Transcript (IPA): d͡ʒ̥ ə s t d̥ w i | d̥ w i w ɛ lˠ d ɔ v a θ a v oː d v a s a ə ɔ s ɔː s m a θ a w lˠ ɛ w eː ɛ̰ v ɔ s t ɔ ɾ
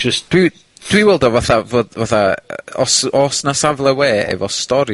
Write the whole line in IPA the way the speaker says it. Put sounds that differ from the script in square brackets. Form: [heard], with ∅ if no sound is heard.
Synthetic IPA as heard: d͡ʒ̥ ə s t d̥ w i | d̥ w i w ɛ lˠ d ɔ v a θ a v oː d v a [θ] a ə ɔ s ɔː s [n] a [s] a [v] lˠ ɛ w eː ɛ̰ v ɔ s t ɔ ɾ